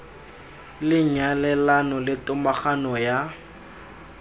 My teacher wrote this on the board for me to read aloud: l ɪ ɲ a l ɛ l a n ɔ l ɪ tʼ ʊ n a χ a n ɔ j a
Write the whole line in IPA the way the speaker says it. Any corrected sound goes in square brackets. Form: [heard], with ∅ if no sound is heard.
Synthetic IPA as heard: l ɪ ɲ a l ɛ l a n ɔ l ɪ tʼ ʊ [m] a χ a n ɔ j a

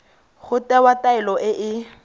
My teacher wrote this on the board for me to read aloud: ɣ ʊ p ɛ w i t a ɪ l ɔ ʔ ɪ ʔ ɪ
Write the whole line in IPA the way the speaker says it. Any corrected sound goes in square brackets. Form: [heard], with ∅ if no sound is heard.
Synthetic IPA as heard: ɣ ʊ [t] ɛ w [a] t a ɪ l ɔ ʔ ɪ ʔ ɪ

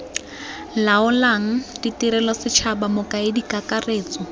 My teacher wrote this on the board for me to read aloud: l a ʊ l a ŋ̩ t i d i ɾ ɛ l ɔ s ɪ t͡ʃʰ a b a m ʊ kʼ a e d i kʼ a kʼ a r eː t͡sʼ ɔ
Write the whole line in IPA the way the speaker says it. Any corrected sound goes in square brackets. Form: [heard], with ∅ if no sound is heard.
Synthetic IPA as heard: l a ʊ l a ŋ̩ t i [t] i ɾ ɛ l ɔ s ɪ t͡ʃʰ a b a m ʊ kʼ a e d i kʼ a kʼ a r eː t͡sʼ ɔ

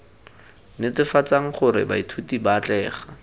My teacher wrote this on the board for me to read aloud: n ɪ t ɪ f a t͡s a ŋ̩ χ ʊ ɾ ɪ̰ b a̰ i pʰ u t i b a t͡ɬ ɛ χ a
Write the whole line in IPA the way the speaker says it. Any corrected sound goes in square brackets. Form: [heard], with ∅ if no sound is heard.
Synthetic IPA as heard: n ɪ t ɪ f a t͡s a ŋ̩ χ ʊ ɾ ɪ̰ b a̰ i [tʰ] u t i b a t͡ɬ [ɛː] χ a

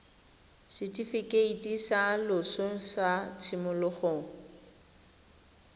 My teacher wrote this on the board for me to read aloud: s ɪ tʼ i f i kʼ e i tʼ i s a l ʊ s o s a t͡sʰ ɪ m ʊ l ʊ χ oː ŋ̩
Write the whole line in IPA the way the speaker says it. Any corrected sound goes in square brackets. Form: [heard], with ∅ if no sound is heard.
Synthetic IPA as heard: s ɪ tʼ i f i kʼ e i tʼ i s a l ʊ s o s a t͡sʰ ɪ m ʊ l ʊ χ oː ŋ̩

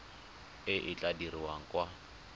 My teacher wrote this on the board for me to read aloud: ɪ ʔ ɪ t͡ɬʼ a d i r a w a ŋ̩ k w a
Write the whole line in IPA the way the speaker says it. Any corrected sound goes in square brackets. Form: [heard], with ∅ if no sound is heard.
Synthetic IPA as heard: ɪ ʔ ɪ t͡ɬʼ a d i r [i] w a ŋ̩ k w a

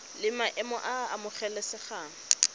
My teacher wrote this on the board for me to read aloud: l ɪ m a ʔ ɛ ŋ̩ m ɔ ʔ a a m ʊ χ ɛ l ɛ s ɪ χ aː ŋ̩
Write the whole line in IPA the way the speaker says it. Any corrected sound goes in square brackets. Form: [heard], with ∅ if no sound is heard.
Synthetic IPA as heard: l ɪ m a ʔ ɛ [∅] m ɔ ʔ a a m ʊ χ ɛ l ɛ s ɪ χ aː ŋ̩

